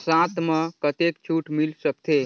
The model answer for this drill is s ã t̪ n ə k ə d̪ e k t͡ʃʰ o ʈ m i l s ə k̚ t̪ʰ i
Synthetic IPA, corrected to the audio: s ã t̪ m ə k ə t̪ e k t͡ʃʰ u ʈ m i l s ə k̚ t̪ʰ e